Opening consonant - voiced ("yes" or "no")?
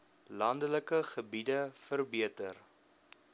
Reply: yes